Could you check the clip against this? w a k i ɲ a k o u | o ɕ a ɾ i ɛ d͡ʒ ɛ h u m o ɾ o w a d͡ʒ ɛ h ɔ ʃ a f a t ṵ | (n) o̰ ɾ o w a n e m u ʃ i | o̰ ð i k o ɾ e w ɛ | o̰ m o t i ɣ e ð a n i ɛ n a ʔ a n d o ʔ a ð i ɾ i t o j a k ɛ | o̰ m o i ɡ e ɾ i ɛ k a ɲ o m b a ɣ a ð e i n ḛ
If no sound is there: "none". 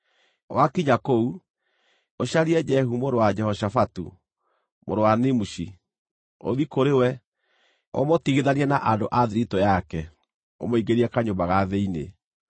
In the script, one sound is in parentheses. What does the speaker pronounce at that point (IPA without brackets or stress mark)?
m